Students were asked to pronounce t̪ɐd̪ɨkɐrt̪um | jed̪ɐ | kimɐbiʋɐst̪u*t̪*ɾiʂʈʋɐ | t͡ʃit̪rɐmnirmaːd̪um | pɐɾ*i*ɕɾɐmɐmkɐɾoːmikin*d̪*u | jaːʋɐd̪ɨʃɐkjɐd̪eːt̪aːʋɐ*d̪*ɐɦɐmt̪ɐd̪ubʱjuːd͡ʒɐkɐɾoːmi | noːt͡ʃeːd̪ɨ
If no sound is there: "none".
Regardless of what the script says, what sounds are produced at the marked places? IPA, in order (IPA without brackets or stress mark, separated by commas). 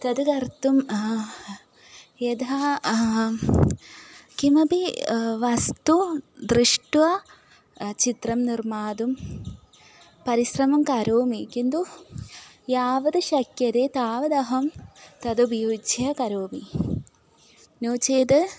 d̪, i, d̪, d̪